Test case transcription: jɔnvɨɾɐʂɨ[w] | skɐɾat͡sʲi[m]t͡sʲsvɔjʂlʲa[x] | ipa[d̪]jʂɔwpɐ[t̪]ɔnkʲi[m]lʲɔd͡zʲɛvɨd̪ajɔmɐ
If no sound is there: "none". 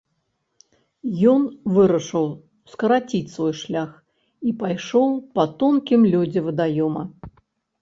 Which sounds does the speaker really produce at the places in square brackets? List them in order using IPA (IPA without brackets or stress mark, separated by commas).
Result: w, none, x, none, t̪, m